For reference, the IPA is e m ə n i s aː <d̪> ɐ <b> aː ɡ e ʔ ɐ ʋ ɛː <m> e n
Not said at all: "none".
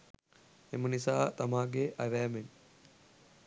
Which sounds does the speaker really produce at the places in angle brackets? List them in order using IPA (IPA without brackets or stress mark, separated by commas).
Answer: t̪, m, m